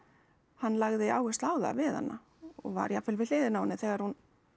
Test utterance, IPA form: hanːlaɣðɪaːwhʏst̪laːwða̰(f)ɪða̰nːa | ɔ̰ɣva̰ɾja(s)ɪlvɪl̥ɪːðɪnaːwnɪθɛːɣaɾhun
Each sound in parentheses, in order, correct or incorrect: incorrect: v, incorrect: f

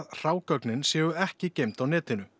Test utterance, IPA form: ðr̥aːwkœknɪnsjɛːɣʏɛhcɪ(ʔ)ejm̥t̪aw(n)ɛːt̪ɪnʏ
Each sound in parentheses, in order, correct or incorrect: incorrect: c, correct

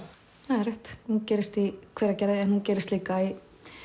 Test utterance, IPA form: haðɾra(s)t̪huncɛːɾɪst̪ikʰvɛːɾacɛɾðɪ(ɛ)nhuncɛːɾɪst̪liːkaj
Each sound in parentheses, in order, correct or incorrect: incorrect: h, correct

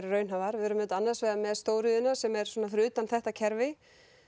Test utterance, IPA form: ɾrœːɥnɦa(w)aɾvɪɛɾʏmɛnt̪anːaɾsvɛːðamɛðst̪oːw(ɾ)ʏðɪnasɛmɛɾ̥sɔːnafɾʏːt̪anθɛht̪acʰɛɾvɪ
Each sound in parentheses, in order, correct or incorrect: incorrect: v, correct

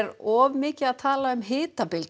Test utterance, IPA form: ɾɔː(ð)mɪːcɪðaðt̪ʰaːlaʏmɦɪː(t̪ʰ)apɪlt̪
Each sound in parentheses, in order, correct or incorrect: incorrect: v, incorrect: t̪

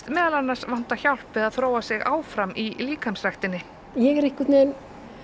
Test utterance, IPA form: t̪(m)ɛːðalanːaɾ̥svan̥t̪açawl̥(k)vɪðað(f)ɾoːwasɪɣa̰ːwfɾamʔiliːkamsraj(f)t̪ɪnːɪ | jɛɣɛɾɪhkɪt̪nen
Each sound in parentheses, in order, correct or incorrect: correct, incorrect: p, incorrect: θ, incorrect: x

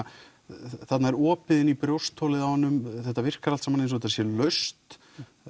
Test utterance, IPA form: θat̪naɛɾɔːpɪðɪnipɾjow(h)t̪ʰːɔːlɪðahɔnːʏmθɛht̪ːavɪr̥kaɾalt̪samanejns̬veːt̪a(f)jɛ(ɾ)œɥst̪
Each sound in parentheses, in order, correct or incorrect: incorrect: s, incorrect: s, incorrect: l

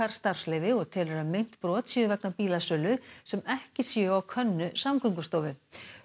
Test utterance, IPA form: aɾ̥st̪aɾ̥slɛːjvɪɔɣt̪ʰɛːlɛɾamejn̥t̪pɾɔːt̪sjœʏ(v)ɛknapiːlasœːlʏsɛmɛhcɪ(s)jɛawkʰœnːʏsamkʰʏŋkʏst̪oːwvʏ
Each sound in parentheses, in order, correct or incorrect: correct, correct

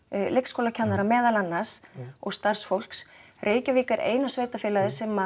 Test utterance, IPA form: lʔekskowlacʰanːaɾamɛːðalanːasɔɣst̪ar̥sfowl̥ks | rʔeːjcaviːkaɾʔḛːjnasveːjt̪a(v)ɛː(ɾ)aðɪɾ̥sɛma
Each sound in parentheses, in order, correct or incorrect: incorrect: f, incorrect: l

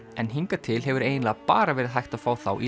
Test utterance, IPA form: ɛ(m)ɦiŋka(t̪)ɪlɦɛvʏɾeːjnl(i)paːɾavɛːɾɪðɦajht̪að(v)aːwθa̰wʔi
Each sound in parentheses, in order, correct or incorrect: incorrect: n, incorrect: t̪ʰ, incorrect: a, incorrect: f

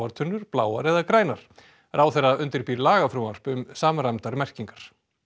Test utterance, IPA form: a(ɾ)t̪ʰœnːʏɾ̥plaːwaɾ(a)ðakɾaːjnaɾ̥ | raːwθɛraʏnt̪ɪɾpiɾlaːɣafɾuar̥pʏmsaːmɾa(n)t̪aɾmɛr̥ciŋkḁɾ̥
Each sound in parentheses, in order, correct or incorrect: correct, incorrect: ɛ, incorrect: m

